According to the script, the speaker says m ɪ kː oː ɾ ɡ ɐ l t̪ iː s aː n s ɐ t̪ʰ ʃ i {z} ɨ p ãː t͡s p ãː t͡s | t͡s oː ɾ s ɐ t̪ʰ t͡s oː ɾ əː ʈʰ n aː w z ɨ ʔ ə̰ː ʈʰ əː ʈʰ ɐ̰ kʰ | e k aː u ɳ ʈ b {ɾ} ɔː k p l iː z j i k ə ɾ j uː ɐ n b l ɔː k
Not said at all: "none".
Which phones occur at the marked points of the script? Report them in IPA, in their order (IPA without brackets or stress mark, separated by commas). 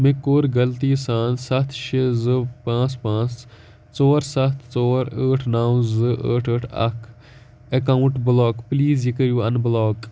z, l